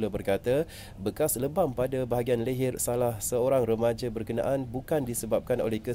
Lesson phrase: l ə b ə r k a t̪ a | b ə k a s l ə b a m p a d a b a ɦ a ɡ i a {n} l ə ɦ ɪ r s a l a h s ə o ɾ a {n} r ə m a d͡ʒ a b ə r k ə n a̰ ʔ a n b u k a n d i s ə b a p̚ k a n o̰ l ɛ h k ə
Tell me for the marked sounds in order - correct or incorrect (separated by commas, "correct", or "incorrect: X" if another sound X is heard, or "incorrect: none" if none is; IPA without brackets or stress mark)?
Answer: correct, incorrect: ŋ